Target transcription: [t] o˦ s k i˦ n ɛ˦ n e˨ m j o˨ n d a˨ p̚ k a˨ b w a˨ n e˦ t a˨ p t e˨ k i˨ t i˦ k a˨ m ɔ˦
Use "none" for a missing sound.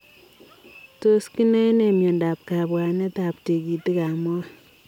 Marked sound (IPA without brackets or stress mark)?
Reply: t